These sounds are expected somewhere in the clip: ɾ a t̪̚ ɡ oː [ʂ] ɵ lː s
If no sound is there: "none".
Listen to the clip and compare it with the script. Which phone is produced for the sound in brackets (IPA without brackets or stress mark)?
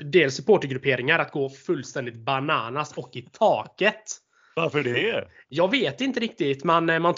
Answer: f